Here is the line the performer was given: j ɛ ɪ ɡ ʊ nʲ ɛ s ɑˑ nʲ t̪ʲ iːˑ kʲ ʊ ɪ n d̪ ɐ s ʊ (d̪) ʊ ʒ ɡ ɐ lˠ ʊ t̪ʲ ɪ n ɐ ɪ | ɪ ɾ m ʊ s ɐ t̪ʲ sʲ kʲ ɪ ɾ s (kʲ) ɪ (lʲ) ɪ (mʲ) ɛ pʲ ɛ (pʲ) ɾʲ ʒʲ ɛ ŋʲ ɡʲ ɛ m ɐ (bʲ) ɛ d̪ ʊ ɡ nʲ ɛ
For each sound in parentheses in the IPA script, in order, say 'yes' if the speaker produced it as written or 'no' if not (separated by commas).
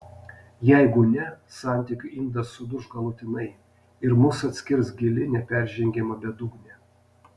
yes, no, yes, no, no, yes